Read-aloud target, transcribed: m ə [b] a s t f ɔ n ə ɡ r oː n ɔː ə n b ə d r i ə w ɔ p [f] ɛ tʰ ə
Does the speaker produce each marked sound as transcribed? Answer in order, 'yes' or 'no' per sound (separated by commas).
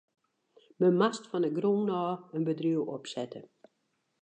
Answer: no, no